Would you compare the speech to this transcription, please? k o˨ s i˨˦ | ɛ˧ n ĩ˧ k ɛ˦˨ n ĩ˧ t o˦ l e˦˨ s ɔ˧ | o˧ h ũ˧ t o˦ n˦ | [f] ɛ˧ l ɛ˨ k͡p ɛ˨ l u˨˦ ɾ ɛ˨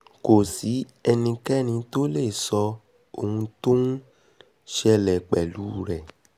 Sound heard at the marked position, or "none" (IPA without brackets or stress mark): ʃ